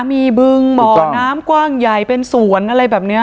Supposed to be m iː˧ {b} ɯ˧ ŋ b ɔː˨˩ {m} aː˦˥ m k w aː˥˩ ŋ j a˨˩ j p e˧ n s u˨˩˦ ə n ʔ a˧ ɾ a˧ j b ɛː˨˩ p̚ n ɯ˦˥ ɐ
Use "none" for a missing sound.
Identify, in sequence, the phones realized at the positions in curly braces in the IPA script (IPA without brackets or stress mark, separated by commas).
b, n